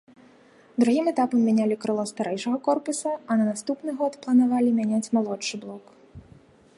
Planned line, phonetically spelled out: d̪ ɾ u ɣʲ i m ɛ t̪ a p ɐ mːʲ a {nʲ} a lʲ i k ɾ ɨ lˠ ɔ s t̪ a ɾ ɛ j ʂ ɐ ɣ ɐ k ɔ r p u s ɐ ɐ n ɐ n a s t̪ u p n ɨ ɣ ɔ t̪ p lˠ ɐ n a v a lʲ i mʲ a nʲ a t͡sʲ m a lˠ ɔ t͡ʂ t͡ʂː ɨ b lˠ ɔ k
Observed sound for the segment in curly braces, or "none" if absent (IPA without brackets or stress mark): nʲ